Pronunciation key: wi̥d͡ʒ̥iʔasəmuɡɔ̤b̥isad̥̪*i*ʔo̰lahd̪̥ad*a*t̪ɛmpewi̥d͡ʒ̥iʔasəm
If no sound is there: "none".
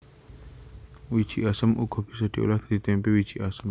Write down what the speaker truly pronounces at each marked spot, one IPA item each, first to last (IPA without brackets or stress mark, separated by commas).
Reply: i, i